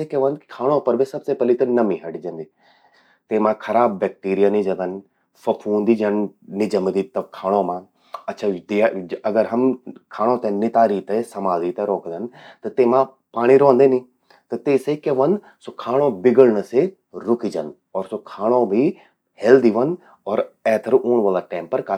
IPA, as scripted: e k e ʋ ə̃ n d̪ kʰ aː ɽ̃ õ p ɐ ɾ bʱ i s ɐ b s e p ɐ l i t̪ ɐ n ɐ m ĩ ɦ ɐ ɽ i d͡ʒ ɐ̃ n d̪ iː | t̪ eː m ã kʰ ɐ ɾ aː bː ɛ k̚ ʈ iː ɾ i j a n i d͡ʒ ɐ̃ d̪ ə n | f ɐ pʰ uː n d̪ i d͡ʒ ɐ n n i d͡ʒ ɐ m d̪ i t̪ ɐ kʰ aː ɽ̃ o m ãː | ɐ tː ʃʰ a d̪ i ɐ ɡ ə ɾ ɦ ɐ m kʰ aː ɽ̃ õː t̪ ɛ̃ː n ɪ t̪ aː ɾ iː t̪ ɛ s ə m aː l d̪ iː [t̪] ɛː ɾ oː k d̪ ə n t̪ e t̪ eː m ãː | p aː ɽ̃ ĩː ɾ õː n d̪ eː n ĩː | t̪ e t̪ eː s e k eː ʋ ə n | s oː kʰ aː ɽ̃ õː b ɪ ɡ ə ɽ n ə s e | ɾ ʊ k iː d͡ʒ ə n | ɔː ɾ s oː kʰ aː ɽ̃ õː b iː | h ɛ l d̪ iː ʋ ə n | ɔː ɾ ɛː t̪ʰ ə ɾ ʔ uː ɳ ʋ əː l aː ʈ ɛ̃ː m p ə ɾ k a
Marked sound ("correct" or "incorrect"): correct